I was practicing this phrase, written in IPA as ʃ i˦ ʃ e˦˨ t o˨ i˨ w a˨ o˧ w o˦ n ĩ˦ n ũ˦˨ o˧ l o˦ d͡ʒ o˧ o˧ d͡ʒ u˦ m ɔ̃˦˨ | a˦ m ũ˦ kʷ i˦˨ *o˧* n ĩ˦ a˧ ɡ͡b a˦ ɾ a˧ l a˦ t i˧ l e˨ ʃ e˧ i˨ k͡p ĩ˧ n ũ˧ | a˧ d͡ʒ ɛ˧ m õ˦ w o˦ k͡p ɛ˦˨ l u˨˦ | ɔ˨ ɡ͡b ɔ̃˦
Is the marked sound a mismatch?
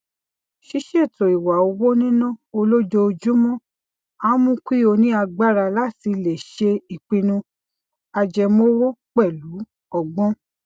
no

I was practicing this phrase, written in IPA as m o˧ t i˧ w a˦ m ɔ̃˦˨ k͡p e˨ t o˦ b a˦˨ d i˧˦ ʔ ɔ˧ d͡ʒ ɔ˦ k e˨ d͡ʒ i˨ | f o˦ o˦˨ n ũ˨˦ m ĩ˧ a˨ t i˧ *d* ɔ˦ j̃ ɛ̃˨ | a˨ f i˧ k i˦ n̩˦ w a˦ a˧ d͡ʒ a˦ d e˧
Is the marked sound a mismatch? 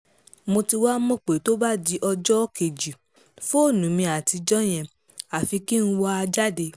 yes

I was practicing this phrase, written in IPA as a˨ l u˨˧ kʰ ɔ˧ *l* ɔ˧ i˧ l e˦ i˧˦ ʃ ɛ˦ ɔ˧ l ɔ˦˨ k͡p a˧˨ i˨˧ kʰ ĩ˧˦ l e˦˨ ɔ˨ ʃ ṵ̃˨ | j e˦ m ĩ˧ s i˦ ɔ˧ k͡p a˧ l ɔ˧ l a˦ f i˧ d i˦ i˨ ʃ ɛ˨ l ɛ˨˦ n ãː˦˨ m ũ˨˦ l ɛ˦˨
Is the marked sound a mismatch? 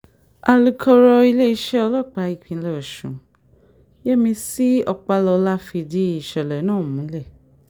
yes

